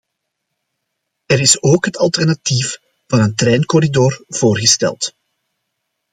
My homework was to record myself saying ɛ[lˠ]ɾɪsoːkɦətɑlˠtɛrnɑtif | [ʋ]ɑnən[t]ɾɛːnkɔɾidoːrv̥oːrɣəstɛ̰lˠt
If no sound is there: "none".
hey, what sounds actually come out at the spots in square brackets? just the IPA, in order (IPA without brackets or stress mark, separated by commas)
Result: none, v, t